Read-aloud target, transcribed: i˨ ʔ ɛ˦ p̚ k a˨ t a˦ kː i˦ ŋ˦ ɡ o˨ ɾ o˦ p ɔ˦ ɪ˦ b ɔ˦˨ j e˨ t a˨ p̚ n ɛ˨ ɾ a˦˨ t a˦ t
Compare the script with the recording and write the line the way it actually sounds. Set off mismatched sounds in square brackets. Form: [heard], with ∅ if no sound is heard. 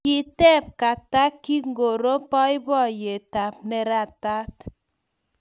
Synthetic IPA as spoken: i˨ [t] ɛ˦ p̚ k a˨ t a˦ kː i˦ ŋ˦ ɡ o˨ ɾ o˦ p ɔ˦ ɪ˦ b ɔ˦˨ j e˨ t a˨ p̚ n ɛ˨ ɾ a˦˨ t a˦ t

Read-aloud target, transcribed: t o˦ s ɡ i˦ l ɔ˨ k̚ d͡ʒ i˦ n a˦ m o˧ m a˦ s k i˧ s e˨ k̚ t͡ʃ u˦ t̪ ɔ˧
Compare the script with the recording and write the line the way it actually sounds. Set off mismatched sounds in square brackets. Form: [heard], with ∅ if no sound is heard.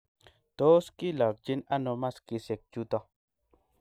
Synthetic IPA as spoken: t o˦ s [k] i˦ l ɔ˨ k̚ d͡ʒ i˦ n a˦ [n] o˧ m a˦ s k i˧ s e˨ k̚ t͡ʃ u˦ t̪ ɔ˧

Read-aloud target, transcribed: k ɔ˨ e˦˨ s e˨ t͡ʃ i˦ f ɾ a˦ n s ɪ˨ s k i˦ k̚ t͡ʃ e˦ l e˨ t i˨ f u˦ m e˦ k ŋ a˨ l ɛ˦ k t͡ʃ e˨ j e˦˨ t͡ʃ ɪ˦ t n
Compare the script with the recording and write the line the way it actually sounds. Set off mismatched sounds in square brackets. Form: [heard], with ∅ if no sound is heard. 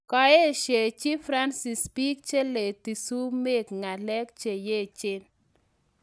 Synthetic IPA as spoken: k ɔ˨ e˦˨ [ʃ] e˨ t͡ʃ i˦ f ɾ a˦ n s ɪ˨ s [p] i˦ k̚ t͡ʃ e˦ l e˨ t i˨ [s] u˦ m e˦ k ŋ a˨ l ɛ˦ k t͡ʃ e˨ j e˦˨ t͡ʃ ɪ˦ [∅] n

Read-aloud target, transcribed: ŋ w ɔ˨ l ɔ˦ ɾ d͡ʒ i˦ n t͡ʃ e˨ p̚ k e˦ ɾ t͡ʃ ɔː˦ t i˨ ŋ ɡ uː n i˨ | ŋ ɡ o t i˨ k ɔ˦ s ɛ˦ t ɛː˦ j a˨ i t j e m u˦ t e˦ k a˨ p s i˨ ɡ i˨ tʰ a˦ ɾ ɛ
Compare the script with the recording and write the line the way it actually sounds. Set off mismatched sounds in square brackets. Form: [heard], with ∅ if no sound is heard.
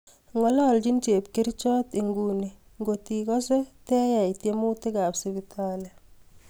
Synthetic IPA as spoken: ŋ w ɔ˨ l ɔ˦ [l] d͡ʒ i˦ n t͡ʃ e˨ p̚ k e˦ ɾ t͡ʃ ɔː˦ t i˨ ŋ ɡ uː n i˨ | ŋ ɡ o t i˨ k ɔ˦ s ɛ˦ t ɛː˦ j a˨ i t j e m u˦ t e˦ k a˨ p s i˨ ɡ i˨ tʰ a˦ [l] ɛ

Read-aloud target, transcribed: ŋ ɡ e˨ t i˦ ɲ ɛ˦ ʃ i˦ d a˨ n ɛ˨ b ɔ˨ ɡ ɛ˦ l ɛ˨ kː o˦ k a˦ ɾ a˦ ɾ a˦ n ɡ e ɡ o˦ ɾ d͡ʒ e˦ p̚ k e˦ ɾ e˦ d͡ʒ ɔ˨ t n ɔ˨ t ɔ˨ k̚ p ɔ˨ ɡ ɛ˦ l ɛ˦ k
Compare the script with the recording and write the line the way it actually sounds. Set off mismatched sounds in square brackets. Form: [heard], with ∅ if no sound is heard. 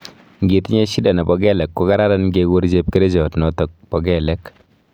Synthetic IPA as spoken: ŋ ɡ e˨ t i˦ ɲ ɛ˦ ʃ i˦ d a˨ n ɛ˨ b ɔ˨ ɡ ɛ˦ l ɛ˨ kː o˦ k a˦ ɾ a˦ ɾ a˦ n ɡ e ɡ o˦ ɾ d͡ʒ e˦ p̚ k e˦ ɾ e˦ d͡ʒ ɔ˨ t n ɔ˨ t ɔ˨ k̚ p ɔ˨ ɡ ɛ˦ l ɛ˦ k

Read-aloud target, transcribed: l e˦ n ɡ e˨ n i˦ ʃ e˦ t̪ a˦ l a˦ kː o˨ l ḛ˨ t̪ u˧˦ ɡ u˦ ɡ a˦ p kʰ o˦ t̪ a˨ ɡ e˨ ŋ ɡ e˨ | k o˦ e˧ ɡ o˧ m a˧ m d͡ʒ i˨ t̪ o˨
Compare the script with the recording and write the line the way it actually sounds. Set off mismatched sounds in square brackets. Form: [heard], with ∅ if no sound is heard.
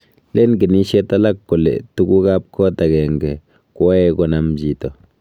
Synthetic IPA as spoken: l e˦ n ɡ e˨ n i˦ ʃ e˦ t̪ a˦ l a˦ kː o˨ l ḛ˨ t̪ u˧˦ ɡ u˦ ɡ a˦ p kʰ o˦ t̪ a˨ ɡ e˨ ŋ ɡ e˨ | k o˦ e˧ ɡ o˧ [n] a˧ m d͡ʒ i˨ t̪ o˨

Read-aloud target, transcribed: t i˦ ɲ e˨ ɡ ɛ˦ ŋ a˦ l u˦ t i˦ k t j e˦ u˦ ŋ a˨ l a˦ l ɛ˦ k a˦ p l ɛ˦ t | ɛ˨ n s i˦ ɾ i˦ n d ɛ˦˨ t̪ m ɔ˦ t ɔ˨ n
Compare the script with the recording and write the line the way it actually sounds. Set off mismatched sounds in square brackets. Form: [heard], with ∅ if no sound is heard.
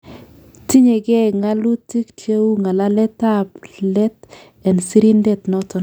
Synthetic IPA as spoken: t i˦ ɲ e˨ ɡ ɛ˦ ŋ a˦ l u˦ t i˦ k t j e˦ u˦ ŋ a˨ l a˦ l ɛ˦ [t] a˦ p l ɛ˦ t | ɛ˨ n s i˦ ɾ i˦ n d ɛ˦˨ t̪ [n] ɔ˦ t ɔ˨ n

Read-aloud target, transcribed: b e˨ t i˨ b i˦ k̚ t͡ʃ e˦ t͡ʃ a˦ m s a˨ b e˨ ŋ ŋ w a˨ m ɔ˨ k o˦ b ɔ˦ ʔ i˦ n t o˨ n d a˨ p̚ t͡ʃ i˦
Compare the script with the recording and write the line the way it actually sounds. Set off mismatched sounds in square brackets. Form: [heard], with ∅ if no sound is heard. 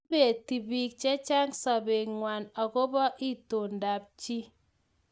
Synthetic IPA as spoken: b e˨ t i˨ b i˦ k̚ t͡ʃ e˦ t͡ʃ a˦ [ŋ] s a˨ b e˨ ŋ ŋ w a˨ [n] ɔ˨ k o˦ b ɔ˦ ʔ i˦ [∅] t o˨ n d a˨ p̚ t͡ʃ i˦

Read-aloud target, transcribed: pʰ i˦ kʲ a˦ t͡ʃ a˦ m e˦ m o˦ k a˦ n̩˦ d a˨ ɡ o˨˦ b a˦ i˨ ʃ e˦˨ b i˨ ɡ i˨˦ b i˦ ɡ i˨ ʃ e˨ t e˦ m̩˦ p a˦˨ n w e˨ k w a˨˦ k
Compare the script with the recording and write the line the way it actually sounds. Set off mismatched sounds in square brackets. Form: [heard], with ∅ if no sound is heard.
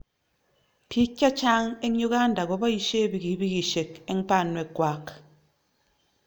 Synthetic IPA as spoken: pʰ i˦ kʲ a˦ t͡ʃ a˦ [ŋ] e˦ [ɲ] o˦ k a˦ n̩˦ d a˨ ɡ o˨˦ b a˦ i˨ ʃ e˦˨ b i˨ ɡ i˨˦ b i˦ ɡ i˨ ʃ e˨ [k] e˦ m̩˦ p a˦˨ n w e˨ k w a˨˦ k

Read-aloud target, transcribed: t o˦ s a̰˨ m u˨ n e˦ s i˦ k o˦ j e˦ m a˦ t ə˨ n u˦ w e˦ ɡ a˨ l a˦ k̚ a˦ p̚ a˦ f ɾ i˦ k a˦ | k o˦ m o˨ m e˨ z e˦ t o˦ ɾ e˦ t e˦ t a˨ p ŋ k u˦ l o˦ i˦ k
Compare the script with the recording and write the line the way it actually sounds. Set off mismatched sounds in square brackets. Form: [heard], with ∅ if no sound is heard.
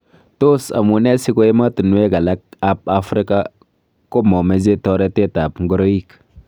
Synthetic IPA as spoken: t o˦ s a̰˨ m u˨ n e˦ s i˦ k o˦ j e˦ m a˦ t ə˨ n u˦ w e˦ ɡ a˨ l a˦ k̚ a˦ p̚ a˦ f ɾ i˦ k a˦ | k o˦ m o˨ m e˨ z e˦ t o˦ ɾ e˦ t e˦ t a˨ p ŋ [ɡ] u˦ [ɾ] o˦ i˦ k

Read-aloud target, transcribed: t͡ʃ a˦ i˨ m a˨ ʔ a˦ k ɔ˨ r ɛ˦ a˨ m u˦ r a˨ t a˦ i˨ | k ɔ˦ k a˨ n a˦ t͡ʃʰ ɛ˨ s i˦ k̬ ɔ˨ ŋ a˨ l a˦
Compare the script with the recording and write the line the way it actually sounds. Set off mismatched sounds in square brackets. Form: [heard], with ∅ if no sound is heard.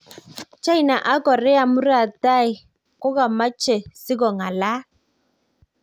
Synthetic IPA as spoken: t͡ʃ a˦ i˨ [n] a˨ ʔ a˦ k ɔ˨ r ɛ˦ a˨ m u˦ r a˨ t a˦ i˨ | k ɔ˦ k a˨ [m] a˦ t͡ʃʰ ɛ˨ s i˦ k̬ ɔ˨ ŋ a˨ l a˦

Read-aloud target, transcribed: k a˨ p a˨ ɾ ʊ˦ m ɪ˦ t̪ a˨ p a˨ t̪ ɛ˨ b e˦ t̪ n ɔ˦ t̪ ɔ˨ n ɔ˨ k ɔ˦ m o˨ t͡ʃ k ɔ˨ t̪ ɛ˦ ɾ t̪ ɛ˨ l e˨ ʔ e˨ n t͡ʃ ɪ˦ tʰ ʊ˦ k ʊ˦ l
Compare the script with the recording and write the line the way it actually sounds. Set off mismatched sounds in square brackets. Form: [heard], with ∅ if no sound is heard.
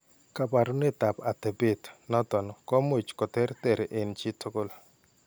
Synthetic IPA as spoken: k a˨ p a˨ ɾ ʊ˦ [n] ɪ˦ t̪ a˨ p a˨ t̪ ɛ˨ b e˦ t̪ n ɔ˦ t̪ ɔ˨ n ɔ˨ k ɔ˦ m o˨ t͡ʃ k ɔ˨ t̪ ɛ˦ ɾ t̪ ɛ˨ [ɾ] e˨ ʔ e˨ n t͡ʃ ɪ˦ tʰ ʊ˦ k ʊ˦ l

